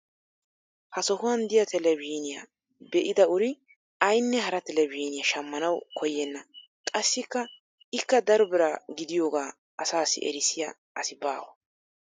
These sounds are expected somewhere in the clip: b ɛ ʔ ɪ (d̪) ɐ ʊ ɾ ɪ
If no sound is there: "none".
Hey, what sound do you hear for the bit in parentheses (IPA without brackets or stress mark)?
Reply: d̪